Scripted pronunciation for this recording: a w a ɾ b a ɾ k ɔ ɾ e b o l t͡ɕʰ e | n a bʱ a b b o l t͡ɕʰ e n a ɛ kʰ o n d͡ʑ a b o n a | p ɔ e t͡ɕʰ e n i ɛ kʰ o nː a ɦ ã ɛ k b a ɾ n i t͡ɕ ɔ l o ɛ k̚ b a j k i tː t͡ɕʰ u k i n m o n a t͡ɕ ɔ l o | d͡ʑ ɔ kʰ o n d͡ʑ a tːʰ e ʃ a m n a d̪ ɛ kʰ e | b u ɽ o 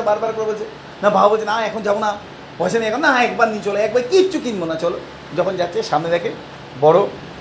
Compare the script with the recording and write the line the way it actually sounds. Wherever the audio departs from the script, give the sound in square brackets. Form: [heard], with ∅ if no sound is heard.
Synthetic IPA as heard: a [b] a ɾ b a ɾ k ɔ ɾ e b o l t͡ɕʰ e | n a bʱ a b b o l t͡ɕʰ e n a ɛ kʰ o n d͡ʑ a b o n a | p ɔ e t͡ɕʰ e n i ɛ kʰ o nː a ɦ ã ɛ k b a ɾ n i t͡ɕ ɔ l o ɛ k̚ b a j k i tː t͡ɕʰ u k i n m o n a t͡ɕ ɔ l o | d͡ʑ ɔ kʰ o n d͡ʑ a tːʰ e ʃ a m n [e] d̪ ɛ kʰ e | b [ɔ] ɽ o